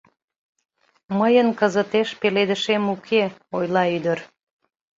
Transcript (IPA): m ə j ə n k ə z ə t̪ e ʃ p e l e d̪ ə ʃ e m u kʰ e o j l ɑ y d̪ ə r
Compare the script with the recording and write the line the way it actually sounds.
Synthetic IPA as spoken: m ə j ə n k ə z ə t̪ e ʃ p e l e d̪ ə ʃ e m u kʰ e o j l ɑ y d̪ ə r